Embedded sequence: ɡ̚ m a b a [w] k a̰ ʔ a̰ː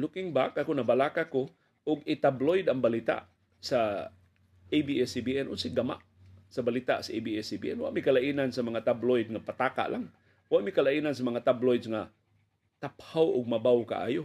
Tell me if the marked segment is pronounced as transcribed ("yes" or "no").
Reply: yes